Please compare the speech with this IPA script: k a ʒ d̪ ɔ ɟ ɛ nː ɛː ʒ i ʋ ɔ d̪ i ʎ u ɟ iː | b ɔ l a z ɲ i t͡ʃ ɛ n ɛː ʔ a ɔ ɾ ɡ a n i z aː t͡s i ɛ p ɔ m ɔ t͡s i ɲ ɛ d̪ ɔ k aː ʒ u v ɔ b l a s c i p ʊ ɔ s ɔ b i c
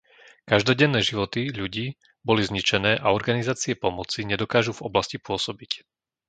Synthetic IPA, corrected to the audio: k a ʒ d̪ ɔ ɟ ɛ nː ɛː ʒ i ʋ ɔ t̪ i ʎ u ɟ iː | b ɔ l i z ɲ i t͡ʃ ɛ n ɛː ʔ a ɔ ɾ ɡ a n i z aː t͡s i ɛ p ɔ m ɔ t͡s i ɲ ɛ d̪ ɔ k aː ʒ u v ɔ b l a s c i p ʊ ɔ s ɔ b i c